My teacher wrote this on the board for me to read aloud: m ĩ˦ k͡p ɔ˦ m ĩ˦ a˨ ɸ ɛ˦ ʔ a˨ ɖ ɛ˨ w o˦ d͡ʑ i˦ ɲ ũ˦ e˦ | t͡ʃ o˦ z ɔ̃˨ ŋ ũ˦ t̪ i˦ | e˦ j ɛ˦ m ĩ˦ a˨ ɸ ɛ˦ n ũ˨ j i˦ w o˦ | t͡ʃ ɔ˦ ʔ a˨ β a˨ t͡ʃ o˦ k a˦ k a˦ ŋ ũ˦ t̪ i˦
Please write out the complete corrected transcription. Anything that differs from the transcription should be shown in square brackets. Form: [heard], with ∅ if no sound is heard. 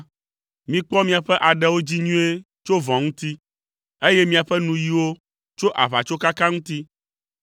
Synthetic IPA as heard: m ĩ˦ k͡p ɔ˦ m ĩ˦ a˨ ɸ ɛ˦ ʔ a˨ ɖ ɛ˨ w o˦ d͡ʑ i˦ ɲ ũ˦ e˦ | t͡ʃ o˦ [v] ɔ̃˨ ŋ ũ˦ t̪ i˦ | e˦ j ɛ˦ m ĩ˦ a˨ ɸ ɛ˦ n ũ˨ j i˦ w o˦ | t͡ʃ [o˦] ʔ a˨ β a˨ t͡ʃ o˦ k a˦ k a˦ ŋ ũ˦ t̪ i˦